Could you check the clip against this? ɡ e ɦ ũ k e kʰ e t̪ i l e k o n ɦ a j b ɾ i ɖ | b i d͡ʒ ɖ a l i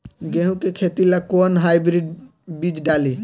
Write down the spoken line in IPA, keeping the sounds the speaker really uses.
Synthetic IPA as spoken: ɡ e ɦ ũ k e kʰ e t̪ i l a k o n ɦ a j b ɾ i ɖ | b i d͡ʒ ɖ a l i